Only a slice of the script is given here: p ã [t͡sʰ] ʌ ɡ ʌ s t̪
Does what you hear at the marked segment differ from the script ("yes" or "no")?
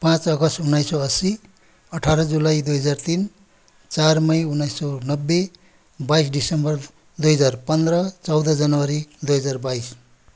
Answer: yes